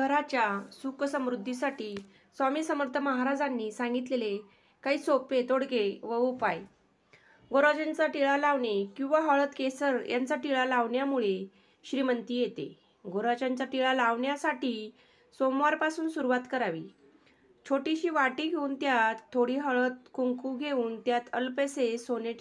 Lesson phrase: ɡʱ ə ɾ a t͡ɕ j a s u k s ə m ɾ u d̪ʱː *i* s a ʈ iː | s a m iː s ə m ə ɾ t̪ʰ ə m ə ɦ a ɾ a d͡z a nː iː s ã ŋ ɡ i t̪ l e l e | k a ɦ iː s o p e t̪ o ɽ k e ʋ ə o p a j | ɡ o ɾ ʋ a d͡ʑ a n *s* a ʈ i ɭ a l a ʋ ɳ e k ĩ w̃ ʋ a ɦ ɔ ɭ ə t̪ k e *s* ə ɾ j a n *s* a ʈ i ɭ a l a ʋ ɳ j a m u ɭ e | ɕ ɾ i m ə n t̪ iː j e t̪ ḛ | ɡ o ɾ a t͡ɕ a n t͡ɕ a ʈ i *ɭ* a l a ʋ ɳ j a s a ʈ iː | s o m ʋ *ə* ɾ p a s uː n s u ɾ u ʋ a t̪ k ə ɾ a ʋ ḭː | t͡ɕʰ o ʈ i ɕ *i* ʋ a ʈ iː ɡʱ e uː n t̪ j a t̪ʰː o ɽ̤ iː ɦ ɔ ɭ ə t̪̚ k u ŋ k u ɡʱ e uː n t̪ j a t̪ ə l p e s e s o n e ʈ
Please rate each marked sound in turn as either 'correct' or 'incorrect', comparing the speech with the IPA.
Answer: correct, incorrect, correct, incorrect, correct, incorrect, incorrect

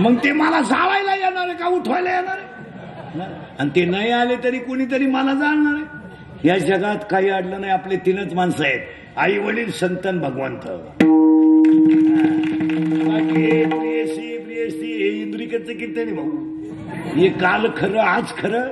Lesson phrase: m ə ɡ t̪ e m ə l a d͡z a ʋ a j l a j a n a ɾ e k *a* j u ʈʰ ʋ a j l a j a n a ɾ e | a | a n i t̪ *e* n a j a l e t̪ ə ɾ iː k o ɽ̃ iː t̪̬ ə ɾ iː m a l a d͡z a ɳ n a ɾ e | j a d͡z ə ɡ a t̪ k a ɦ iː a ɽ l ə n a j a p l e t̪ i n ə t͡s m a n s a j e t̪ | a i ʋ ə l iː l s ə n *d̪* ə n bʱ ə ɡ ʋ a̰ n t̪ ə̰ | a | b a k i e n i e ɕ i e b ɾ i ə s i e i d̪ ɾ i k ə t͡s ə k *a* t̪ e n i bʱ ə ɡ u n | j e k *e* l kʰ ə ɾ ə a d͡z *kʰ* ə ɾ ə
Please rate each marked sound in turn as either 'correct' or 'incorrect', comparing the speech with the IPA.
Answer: correct, correct, incorrect, incorrect, incorrect, correct

